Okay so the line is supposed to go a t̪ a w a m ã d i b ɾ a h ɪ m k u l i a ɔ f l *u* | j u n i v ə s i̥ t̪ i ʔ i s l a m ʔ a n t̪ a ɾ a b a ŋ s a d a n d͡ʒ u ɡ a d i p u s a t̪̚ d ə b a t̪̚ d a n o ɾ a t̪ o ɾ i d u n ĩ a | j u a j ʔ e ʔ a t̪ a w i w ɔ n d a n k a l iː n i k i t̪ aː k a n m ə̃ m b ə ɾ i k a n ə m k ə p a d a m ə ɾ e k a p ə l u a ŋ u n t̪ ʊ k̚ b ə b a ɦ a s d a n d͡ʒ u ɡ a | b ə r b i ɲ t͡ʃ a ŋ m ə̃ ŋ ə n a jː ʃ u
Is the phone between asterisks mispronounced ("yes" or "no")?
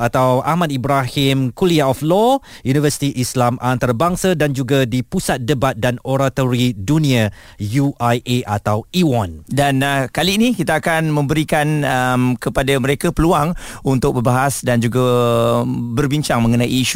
yes